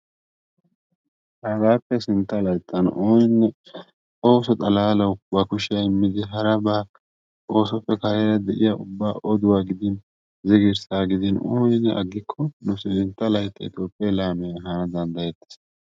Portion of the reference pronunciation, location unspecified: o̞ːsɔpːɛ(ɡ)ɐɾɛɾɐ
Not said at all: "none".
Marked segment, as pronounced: k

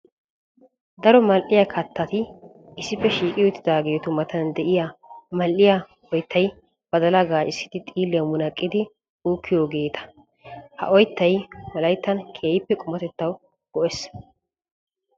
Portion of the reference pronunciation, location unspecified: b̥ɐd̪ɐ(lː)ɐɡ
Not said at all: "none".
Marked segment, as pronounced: l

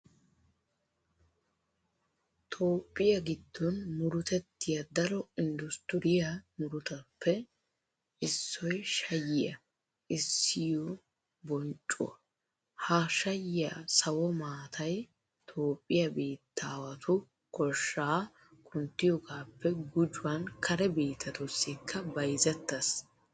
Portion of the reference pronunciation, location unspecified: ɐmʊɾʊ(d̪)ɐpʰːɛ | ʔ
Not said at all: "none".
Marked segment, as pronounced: t̪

